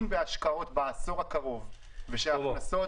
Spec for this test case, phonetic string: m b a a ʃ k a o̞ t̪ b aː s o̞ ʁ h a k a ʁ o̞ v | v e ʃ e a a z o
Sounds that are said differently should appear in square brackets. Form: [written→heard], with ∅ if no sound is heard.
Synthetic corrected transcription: m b [a→e] a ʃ k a o̞ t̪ b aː s o̞ ʁ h a k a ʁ o̞ v | v e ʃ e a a [z→s] o